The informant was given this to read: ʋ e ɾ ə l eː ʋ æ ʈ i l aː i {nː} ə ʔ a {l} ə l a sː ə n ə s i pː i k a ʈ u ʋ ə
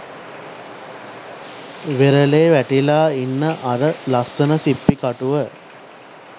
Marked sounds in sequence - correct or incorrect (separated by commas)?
correct, incorrect